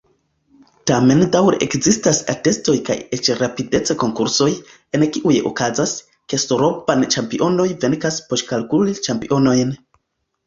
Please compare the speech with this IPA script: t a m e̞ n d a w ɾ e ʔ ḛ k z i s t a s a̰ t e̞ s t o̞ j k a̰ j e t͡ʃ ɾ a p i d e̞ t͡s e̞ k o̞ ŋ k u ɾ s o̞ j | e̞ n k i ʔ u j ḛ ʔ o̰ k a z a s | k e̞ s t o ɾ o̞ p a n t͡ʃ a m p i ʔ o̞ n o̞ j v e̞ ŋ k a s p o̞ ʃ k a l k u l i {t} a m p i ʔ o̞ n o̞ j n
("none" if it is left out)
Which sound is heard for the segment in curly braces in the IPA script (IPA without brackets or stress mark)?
t͡ʃ